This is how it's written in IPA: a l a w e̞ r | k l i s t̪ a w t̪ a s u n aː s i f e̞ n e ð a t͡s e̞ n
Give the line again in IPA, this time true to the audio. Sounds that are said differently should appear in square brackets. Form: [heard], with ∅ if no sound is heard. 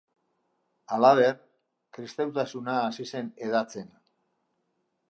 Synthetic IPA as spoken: a l a [β] e̞ r | k [ɾ] i s t̪ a w t̪ a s u n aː s i [s] e̞ n e ð a t͡s e̞ n